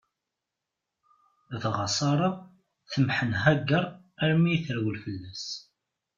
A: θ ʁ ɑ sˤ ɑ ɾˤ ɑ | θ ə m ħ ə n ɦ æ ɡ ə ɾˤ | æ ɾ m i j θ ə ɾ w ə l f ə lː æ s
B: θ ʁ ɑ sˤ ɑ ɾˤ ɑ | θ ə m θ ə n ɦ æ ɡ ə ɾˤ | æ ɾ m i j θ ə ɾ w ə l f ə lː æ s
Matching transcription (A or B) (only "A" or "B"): A